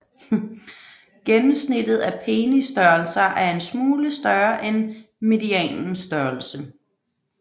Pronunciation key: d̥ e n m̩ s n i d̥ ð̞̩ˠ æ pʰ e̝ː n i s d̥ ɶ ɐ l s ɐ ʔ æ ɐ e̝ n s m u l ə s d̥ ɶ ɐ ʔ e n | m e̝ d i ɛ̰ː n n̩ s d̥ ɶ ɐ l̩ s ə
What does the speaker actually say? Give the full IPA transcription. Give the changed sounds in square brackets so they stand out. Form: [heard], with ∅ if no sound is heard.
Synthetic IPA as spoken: [ɡ̥] e n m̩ s n i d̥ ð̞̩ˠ æ pʰ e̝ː n i s d̥ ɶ ɐ l s ɐ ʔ æ ɐ e̝ n s m [uː] l ə s d̥ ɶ ɐ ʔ e n | m e̝ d i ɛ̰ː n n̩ s d̥ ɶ ɐ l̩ s ə